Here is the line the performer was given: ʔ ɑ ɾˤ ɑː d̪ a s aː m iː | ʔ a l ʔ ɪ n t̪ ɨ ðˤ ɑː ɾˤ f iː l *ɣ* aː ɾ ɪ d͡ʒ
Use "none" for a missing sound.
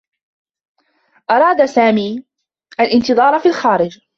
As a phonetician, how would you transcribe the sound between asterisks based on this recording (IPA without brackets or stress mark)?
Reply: x